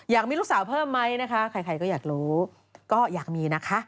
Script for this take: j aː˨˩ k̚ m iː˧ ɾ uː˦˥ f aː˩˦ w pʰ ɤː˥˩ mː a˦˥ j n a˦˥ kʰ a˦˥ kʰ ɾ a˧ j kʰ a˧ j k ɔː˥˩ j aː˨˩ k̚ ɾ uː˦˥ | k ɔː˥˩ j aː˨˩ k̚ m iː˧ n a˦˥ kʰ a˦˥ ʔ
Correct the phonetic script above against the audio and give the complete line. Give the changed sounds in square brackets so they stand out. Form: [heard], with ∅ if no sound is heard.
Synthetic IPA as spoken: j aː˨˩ k̚ m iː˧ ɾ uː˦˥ [s] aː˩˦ w pʰ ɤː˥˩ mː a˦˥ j n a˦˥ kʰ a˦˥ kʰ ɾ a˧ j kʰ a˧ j k ɔː˥˩ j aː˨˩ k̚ ɾ uː˦˥ | k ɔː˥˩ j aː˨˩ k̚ m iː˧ n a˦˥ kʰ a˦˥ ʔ